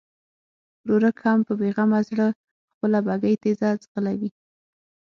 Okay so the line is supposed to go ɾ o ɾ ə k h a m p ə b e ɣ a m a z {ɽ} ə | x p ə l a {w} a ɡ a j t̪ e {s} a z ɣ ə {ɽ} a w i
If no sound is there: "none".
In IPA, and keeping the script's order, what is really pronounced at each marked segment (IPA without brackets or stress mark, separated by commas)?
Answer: ɽ, b, z, l